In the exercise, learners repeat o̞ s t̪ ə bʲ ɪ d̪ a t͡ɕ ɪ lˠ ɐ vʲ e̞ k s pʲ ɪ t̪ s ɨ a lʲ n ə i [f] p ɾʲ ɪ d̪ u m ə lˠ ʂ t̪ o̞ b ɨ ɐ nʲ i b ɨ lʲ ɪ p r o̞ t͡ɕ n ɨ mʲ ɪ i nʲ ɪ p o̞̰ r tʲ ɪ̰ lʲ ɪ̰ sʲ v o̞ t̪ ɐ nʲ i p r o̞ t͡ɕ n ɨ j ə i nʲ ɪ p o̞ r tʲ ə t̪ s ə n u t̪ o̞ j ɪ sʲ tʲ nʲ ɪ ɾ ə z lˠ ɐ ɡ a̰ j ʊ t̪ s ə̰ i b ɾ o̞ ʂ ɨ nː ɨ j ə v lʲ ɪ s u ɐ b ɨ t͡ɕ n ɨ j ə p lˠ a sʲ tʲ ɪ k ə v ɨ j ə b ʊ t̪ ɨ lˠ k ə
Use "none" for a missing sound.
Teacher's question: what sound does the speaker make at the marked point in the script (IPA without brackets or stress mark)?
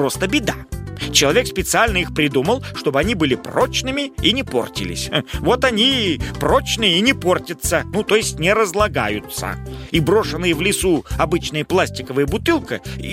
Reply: x